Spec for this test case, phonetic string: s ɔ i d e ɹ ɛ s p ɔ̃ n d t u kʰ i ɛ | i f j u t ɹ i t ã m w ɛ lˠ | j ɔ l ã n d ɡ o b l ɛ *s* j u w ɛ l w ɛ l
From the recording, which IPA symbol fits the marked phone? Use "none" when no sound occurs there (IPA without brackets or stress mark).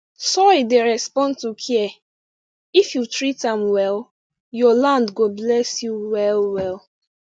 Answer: s